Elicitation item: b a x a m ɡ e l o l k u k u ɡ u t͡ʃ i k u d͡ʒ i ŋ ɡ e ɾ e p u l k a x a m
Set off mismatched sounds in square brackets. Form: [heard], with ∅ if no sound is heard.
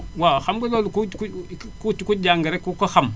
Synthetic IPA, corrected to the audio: [w] a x a m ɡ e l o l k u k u [k] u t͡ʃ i k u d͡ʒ [a] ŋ ɡ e ɾ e [k] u [∅] k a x a m